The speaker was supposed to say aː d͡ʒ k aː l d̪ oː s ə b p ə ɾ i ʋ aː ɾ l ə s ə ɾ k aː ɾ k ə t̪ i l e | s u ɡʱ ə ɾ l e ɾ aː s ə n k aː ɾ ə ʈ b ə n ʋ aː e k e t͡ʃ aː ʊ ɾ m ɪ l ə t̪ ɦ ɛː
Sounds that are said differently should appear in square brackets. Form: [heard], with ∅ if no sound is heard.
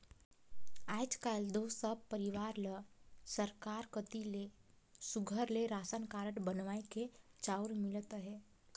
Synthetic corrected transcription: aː d͡ʒ k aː l d̪ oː s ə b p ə ɾ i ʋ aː ɾ l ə s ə ɾ k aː ɾ k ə t̪ i l e | s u ɡʱ ə ɾ l e ɾ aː s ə n k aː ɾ ə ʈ b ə n ʋ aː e k e t͡ʃ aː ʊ ɾ m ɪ l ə t̪ ɦ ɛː